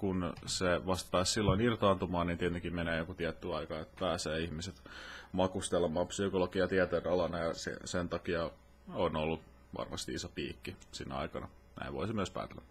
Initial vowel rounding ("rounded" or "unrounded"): rounded